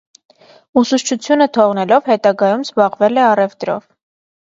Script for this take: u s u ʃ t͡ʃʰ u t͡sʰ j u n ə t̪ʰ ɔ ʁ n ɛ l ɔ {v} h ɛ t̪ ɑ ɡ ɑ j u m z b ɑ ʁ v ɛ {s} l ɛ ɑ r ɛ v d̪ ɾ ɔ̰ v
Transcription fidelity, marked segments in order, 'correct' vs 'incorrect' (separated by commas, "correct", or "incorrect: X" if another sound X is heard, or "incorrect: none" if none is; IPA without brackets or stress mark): correct, incorrect: none